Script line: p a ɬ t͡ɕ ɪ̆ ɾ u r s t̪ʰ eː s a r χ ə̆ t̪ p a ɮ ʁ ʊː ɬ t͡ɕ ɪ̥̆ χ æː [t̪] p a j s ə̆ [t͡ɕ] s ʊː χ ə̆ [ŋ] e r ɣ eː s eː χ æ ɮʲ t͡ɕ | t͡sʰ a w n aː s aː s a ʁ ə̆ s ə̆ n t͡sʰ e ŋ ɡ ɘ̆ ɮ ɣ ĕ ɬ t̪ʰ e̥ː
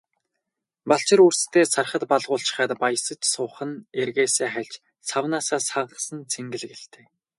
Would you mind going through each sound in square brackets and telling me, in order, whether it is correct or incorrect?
correct, correct, incorrect

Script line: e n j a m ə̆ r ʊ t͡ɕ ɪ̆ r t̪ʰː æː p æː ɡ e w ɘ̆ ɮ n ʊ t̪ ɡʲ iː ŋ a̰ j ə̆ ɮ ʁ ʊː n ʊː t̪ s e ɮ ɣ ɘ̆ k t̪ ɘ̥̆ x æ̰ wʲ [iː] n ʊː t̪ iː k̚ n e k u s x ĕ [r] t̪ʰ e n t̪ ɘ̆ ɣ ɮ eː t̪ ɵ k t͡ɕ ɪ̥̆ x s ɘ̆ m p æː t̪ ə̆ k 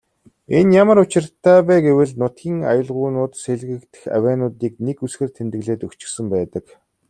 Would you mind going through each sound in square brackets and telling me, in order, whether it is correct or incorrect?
incorrect, correct

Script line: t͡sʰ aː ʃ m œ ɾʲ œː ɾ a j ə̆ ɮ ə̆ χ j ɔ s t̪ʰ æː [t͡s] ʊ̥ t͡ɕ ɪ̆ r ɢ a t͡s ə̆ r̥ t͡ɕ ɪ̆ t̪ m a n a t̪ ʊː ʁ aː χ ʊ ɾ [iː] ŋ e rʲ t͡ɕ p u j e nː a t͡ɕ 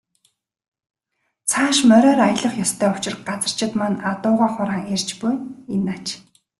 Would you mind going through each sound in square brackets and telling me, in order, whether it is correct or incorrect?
incorrect, incorrect

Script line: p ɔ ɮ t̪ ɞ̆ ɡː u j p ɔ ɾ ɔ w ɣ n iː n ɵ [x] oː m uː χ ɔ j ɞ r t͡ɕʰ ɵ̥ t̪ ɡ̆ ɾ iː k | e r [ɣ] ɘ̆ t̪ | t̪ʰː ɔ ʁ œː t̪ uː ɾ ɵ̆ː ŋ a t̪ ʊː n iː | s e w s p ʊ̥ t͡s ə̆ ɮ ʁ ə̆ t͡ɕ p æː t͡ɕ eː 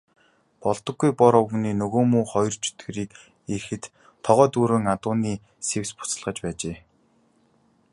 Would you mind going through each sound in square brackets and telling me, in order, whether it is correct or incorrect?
incorrect, incorrect

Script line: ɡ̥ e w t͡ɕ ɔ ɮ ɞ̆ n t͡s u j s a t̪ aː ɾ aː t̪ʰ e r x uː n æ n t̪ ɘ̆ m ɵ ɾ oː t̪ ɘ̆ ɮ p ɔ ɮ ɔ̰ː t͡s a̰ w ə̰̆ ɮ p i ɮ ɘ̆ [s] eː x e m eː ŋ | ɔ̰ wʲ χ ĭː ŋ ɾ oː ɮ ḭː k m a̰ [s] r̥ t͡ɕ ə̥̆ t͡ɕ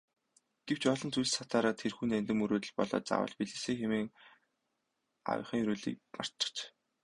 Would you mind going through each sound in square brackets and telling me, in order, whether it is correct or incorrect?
correct, incorrect

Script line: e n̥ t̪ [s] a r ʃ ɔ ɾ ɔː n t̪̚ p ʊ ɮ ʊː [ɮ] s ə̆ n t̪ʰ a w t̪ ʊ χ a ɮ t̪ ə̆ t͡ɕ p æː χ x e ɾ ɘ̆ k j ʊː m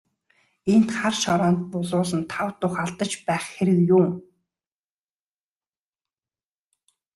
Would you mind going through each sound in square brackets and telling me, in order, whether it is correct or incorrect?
incorrect, incorrect

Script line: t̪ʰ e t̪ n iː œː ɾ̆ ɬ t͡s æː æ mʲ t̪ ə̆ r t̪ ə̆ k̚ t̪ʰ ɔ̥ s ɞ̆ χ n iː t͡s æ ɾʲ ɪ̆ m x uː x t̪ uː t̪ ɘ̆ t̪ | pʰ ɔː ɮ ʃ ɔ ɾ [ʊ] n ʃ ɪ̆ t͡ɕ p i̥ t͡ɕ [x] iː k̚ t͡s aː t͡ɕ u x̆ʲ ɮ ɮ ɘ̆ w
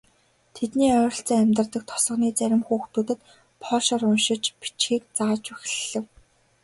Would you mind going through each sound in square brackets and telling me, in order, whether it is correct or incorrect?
correct, correct

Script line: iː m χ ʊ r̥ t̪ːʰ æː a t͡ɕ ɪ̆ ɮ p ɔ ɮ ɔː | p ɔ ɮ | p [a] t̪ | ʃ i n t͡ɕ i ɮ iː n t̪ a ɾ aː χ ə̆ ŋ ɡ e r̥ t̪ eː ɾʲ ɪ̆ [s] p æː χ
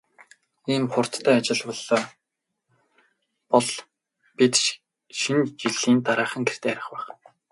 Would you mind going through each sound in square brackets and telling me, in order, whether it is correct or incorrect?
incorrect, incorrect

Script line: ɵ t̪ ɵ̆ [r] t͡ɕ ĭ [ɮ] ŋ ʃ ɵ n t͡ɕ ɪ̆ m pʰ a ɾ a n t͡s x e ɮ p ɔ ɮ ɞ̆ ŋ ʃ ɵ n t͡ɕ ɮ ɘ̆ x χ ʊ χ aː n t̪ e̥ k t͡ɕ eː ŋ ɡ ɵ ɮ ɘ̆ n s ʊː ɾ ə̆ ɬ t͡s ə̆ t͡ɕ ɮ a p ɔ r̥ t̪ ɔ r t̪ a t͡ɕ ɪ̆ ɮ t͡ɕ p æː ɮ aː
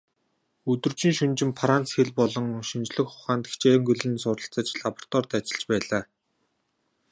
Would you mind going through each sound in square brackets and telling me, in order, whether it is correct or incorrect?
correct, incorrect

